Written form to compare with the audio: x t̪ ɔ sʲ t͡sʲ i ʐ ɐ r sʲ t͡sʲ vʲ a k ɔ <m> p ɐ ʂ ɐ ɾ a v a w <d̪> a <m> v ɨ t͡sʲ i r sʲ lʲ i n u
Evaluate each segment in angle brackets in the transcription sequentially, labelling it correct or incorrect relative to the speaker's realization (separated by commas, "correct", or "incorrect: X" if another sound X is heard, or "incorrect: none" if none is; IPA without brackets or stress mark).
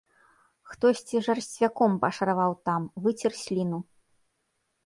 correct, incorrect: t̪, correct